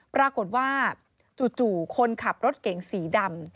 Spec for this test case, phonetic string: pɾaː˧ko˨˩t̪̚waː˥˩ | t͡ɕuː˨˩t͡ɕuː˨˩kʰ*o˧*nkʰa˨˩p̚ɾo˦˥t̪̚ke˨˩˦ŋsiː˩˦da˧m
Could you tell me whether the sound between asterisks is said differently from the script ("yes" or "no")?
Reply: no